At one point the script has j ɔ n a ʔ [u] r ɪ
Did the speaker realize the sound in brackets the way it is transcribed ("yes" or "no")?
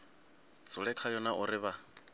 no